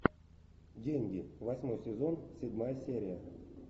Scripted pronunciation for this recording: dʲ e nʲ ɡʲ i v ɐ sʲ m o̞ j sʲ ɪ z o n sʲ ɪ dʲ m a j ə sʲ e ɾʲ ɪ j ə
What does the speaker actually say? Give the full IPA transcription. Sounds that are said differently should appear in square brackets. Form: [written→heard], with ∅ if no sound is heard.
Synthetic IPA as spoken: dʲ e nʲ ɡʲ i v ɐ sʲ m o̞ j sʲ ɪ z o n sʲ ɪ dʲ m a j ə sʲ e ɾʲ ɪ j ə